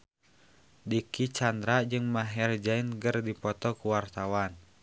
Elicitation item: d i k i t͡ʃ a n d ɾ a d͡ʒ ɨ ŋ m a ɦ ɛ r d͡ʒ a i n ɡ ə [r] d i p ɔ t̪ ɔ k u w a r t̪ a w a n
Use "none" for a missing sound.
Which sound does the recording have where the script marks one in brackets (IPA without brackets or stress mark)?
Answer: r